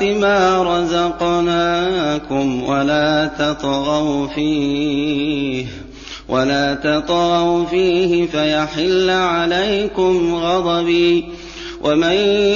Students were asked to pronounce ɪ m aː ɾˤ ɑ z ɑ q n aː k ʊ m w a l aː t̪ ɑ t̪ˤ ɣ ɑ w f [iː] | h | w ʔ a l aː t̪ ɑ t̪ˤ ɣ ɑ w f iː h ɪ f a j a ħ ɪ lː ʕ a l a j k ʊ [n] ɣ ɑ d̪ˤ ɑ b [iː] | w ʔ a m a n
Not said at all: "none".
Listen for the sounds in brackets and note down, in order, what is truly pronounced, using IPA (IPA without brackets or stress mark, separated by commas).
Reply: iː, m, iː